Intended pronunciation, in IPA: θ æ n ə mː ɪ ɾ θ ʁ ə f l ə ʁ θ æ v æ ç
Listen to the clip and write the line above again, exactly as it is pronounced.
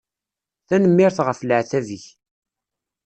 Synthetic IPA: θ æ n ə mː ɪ ɾ θ ʁ ə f l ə ʕ θ æ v i ç